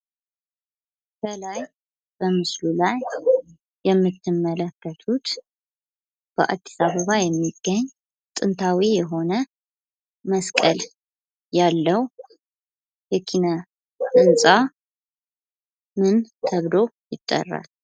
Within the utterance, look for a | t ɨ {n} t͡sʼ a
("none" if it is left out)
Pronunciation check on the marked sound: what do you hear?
n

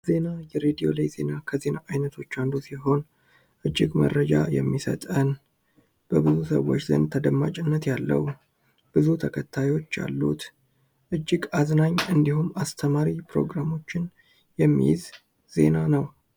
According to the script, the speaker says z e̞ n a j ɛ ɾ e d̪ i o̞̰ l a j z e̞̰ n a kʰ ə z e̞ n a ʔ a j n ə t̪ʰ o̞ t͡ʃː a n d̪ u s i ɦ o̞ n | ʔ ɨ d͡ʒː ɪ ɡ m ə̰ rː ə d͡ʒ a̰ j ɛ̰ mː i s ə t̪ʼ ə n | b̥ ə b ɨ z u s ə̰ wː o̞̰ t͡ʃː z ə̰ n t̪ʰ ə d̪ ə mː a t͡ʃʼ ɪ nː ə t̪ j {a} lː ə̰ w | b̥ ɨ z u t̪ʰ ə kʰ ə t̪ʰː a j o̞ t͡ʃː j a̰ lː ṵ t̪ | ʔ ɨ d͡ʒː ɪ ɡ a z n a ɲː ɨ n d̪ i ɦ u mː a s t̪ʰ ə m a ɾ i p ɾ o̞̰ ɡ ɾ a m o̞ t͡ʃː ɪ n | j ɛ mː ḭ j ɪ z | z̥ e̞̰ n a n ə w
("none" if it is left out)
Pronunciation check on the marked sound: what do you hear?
a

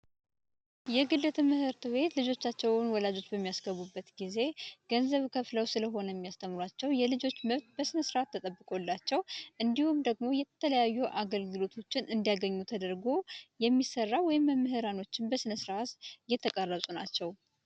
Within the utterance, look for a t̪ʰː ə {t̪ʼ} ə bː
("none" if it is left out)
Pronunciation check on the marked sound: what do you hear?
t̪ʼ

